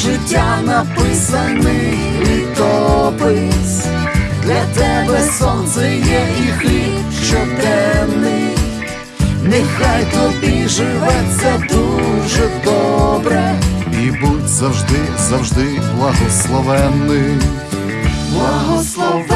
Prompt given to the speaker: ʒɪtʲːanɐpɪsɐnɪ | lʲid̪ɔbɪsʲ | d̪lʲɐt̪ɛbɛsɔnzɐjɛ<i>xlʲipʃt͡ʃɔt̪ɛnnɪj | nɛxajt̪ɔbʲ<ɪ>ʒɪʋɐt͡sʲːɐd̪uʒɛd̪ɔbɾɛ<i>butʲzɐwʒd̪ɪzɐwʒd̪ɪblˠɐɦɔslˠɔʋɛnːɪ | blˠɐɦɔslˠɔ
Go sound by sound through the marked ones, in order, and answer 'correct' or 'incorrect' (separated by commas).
correct, incorrect, correct